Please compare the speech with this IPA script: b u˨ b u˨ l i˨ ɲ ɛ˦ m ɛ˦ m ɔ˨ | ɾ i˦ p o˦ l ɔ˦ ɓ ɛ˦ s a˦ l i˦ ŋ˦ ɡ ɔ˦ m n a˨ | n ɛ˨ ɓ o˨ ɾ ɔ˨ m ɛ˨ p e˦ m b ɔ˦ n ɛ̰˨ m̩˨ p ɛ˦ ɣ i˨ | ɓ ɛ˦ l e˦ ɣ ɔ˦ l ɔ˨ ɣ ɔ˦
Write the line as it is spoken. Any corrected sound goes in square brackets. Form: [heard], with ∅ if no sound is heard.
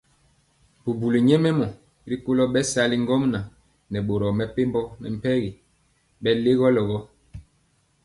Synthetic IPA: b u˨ b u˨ l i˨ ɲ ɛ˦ m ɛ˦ m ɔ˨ | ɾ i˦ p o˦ l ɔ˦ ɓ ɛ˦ s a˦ l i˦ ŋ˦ ɡ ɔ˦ m n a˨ | n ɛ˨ ɓ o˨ ɾ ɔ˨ m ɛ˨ p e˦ m b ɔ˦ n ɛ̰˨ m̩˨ p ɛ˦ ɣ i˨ | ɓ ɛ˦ l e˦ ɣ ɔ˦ l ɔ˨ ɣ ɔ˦